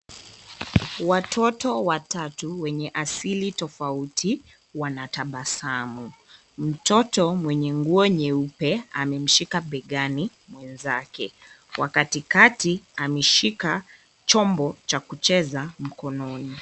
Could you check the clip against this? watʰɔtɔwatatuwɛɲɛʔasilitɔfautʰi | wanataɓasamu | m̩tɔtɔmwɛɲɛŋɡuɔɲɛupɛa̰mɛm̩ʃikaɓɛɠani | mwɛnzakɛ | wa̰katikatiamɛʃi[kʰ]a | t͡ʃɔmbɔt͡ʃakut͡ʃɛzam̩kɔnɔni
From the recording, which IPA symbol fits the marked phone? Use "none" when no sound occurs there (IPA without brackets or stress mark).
k